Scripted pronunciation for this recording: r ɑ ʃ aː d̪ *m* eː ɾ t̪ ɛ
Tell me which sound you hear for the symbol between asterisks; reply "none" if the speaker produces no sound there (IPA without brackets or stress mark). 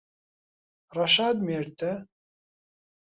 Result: m